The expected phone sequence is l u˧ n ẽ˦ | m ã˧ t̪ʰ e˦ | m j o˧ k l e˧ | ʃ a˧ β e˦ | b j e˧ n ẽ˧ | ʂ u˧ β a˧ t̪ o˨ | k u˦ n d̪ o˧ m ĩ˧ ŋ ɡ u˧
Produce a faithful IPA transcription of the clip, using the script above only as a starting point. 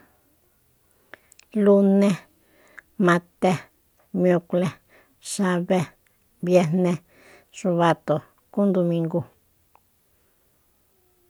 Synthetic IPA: l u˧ n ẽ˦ | m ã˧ t̪ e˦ | m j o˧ k l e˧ | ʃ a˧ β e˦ | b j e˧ n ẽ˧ | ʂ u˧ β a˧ t̪ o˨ | k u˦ n d̪ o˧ m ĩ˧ ŋ ɡ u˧